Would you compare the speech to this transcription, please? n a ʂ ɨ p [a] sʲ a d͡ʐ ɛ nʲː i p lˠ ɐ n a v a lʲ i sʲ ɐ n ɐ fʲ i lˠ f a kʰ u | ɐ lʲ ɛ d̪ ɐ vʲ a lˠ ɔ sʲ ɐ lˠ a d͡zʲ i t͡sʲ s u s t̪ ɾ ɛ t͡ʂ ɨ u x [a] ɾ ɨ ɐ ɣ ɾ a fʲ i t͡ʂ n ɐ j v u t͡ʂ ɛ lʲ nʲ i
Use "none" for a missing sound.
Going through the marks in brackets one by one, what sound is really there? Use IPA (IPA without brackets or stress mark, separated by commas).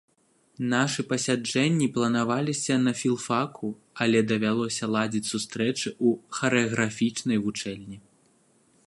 ɐ, ɐ